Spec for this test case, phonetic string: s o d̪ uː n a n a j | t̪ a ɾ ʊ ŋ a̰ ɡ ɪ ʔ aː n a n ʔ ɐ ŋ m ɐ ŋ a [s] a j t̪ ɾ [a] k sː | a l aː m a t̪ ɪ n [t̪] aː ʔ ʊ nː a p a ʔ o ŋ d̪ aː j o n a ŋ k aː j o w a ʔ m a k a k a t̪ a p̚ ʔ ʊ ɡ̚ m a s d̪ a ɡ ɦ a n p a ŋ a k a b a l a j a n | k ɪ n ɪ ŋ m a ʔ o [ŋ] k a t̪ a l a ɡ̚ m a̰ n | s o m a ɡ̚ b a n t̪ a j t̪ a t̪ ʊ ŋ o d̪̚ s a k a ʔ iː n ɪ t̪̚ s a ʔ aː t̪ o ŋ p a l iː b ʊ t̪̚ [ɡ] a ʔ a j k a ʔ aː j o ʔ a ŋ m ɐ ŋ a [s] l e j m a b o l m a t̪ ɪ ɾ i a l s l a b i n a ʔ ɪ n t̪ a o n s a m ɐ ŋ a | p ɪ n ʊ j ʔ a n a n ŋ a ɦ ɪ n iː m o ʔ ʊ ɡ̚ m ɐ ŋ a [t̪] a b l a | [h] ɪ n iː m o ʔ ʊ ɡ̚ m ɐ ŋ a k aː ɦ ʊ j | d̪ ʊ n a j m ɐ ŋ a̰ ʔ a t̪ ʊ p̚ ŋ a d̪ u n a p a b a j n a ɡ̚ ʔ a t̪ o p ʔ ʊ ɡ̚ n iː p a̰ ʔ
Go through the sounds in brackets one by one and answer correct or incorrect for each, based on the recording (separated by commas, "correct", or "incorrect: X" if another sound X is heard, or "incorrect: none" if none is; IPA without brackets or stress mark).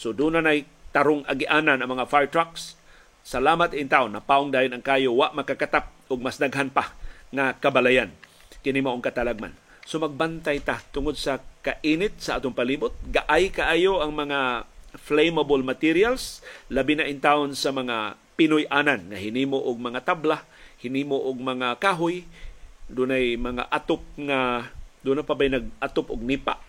incorrect: f, correct, correct, correct, correct, incorrect: f, correct, correct